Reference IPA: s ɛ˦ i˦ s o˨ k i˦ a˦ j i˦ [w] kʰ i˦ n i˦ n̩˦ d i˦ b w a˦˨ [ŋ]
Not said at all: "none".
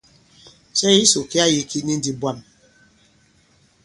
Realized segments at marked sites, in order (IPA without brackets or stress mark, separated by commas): none, m